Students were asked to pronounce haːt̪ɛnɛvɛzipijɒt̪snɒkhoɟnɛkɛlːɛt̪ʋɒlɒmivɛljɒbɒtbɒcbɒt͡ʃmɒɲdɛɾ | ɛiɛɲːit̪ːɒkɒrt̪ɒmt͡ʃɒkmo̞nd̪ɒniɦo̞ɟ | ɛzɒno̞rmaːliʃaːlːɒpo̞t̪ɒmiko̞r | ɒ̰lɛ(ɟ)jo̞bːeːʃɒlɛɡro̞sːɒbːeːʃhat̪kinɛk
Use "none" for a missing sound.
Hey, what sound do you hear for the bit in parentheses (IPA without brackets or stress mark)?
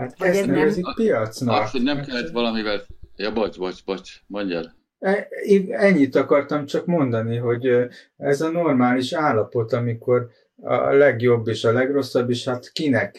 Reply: ɡ